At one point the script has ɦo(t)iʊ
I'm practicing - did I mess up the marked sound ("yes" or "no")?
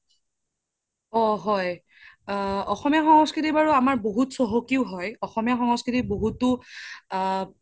yes